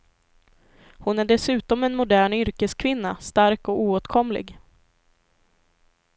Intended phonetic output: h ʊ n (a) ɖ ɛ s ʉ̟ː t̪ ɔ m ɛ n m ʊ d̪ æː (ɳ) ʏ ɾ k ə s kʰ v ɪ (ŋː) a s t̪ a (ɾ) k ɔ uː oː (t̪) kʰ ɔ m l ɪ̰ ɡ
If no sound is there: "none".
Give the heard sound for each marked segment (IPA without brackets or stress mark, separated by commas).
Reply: æ, ɳ, nː, ɾ, t̪